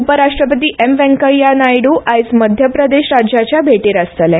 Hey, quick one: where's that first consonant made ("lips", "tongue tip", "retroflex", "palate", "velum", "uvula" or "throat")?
lips